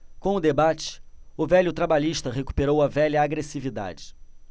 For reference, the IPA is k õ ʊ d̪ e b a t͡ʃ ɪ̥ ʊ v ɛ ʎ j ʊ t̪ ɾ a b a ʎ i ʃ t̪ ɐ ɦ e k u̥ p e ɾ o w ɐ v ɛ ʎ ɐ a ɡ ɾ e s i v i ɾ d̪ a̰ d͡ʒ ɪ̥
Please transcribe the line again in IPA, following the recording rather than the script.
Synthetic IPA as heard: k õ ʊ d̪ e b a t͡ʃ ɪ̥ ʊ v ɛ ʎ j ʊ t̪ ɾ a b a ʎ i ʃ t̪ ɐ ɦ e k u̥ p e ɾ o w ɐ v ɛ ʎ ɐ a ɡ ɾ e s i v i d̪ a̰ d͡ʒ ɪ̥